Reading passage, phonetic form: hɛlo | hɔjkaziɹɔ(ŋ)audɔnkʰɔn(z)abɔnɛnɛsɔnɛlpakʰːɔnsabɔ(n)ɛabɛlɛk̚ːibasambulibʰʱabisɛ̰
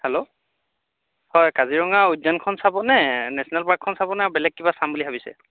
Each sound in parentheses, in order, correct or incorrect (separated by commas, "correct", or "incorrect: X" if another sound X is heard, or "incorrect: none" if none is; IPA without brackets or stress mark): correct, incorrect: s, correct